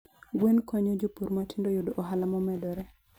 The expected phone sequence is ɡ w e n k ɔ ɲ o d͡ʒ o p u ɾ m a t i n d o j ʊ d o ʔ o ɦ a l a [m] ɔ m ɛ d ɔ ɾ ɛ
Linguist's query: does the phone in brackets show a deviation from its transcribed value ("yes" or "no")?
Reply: no